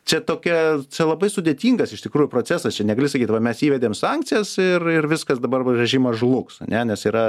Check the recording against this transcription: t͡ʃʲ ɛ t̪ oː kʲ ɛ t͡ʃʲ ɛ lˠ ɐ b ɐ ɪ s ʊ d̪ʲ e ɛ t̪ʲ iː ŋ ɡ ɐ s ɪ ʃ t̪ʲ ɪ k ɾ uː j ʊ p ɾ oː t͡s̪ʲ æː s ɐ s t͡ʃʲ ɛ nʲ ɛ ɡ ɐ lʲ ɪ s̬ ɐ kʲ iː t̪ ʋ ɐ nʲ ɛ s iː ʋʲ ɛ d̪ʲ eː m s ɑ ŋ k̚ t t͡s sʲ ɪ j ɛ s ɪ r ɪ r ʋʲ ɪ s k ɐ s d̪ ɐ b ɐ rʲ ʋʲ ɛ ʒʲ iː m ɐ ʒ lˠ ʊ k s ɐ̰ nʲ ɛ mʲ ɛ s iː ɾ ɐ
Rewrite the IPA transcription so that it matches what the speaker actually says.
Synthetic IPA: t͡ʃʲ ɛ t̪ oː kʲ ɛ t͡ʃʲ ɛ lˠ ɐ b ɐ ɪ s ʊ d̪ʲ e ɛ t̪ʲ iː ŋ ɡ ɐ s ɪ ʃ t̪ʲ ɪ k ɾ uː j ʊ p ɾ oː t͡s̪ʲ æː s ɐ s t͡ʃʲ ɛ nʲ ɛ ɡ ɐ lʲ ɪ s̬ ɐ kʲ iː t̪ ʋ ɐ mʲ ɛ s iː ʋʲ ɛ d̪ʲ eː m s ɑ ŋ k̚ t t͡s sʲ ɪ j ɛ s ɪ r ɪ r ʋʲ ɪ s k ɐ s d̪ ɐ b ɐ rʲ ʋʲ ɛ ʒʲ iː m ɐ ʒ lˠ ʊ k s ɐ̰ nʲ ɛ nʲ ɛ s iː ɾ ɐ